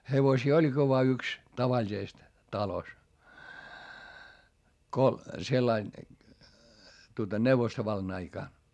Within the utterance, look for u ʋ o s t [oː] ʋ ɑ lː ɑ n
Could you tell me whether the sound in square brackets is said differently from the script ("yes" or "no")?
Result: yes